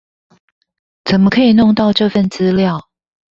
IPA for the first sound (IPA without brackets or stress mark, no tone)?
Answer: t͡s